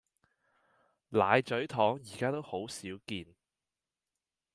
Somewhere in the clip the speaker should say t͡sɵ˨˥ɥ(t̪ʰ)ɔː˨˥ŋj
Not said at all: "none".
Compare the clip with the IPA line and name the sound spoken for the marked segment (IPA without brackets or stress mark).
t̪ʰ